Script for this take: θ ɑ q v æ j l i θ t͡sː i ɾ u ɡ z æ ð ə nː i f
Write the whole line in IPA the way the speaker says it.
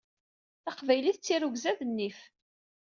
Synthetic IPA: θ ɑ q v æ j l i θ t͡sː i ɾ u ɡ z æ ð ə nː i f